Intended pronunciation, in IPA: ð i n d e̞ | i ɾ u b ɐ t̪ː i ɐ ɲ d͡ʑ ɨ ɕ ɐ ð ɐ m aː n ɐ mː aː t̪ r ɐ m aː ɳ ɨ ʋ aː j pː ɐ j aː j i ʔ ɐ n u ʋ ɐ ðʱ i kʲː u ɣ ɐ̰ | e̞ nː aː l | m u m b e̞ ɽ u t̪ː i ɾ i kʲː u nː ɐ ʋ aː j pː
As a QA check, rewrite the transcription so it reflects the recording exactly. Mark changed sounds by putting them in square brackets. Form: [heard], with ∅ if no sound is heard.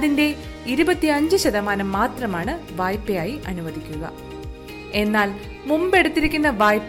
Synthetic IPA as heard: ð i n d e̞ | i ɾ u b ɐ t̪ː i ɐ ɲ d͡ʑ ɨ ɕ ɐ ð ɐ m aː n ɐ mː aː t̪ r ɐ m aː ɳ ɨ ʋ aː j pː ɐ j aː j i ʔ ɐ n u ʋ ɐ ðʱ i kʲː u ɣ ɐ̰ | e̞ nː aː l | m u m b e̞ ɽ u t̪ː i ɾ i kʲː u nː ɐ ʋ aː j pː